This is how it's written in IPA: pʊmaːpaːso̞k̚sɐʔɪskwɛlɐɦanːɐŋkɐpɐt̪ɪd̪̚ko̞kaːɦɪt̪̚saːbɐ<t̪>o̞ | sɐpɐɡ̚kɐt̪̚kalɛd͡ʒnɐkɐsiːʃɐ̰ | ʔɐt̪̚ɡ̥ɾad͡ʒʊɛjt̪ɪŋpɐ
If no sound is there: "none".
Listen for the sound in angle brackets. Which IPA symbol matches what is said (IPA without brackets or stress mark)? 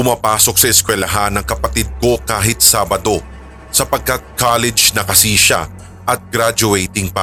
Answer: d̪